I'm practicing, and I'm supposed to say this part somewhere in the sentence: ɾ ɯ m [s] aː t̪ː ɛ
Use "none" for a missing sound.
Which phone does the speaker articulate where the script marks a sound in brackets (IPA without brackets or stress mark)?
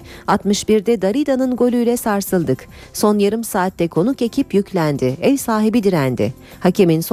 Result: s